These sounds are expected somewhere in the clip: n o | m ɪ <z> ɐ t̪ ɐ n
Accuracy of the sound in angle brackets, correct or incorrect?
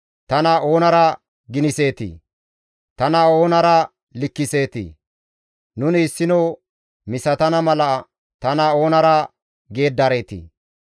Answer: incorrect